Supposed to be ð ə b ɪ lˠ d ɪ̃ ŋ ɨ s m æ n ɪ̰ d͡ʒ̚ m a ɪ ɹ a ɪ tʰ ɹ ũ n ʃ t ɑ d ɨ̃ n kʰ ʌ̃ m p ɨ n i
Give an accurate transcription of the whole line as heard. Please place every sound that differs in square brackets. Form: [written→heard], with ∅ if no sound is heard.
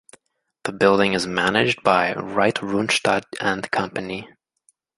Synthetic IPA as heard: ð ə b ɪ lˠ d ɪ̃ ŋ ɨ [s→z] m æ n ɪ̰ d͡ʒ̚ [m→b] a ɪ ɹ a ɪ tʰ ɹ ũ n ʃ t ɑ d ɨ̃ n kʰ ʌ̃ m p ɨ n i